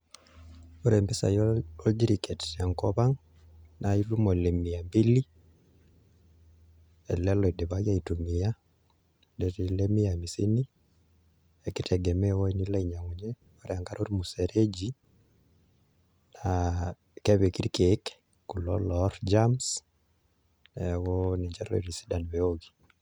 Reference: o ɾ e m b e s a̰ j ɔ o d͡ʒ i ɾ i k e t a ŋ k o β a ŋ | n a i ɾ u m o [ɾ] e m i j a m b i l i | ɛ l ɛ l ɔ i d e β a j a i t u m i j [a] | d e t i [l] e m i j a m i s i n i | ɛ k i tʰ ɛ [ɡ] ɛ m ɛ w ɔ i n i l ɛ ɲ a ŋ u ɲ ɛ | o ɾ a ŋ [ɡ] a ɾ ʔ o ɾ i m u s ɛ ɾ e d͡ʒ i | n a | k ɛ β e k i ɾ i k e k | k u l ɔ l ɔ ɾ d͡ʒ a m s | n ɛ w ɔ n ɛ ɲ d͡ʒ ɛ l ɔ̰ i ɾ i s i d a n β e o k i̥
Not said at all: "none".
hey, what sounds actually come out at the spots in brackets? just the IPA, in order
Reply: l, a, l, ɡ, ɡ

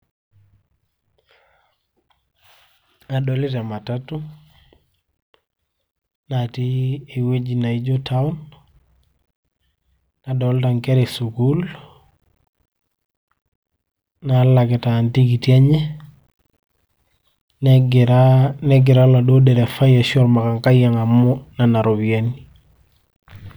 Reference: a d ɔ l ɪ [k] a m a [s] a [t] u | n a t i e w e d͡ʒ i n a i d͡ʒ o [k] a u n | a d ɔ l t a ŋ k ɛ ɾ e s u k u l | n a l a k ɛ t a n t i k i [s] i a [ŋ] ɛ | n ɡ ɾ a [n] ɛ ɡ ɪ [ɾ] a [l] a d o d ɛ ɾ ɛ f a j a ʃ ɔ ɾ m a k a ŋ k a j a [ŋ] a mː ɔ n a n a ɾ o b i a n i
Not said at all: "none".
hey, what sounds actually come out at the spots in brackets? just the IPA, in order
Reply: t, t, t, t, t, ɲ, n, ɾ, l, ŋ

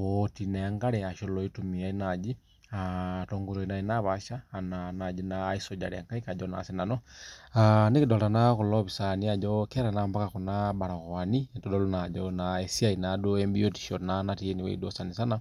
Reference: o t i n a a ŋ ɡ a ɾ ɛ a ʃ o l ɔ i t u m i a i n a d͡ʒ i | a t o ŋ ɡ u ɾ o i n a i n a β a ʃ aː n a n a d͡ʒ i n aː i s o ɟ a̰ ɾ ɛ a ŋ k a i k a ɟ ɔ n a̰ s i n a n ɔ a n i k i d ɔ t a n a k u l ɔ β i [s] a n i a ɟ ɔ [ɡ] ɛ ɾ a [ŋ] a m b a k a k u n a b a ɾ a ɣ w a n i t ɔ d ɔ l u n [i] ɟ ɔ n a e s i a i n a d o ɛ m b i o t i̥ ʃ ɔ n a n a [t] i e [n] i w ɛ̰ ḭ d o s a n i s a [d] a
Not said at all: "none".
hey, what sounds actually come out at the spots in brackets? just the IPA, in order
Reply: s, k, n, a, t, n, n

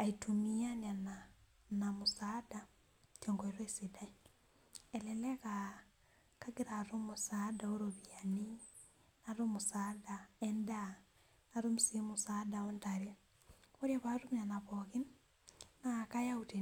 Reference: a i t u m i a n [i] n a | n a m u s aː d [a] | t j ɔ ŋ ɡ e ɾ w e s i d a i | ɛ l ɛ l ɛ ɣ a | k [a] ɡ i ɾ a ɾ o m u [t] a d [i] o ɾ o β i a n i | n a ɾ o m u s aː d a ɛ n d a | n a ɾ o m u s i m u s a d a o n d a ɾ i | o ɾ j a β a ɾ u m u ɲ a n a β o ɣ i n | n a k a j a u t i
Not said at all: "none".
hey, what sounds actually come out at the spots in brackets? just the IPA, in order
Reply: a, a, a, s, a

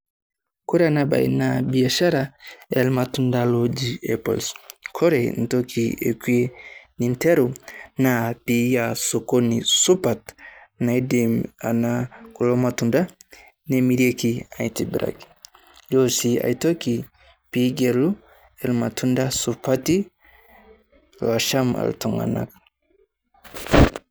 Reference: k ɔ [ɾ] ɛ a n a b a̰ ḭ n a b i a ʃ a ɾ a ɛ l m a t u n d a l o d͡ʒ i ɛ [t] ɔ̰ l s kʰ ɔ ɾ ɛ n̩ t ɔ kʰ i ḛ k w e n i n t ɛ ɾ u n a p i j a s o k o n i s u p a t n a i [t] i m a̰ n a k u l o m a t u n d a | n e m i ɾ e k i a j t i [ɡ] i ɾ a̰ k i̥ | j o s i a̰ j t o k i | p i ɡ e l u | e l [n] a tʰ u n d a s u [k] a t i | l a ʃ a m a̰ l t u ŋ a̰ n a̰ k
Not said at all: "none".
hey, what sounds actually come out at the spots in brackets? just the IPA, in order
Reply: ɾ, p, d, b, m, p

